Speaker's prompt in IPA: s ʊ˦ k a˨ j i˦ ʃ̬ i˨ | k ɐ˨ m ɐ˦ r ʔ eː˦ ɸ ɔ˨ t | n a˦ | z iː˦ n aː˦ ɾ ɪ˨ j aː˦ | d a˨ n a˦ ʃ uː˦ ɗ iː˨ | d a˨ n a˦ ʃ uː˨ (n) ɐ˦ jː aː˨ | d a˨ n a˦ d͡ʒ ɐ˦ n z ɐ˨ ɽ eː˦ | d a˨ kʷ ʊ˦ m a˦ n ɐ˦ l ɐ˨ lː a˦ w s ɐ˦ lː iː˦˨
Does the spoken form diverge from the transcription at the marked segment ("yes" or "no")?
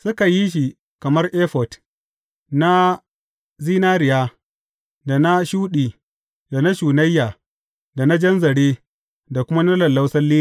no